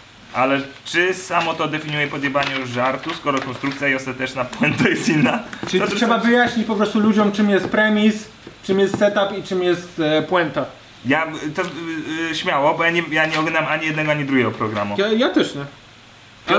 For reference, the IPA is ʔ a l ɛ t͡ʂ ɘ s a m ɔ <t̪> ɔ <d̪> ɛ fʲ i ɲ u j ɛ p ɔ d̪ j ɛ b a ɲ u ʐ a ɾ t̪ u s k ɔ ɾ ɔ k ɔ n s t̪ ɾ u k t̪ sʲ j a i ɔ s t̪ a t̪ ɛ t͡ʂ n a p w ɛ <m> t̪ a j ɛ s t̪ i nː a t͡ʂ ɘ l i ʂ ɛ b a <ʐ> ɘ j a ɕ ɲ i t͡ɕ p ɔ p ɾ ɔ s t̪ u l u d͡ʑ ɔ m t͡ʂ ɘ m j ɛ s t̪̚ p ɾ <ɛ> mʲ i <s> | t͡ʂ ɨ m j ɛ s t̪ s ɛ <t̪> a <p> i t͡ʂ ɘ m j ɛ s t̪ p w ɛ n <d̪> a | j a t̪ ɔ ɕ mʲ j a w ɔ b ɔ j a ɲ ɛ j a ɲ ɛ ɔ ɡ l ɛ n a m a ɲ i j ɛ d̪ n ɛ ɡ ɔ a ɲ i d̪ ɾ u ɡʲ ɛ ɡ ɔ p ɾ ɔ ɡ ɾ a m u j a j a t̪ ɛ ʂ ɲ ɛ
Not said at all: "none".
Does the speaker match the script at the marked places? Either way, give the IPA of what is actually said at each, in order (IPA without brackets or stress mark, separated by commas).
t̪, d̪, n, v, ɛ, s, t̪, p, t̪